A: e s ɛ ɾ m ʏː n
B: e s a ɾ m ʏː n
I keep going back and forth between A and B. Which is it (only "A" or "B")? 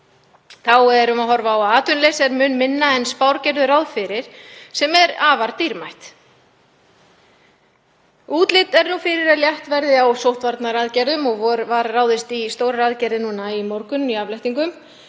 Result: A